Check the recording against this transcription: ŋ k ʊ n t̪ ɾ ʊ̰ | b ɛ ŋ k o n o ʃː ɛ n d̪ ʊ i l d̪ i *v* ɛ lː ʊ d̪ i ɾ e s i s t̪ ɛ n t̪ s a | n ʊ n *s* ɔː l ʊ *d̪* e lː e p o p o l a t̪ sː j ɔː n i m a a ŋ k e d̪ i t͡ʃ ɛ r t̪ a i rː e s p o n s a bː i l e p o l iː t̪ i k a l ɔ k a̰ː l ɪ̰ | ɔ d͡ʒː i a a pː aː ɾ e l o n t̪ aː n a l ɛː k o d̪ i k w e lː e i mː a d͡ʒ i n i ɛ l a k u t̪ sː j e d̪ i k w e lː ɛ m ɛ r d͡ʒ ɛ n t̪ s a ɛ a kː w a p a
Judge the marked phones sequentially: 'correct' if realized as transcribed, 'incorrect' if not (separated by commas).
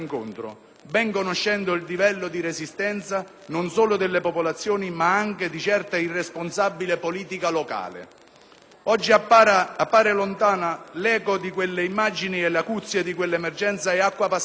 correct, correct, correct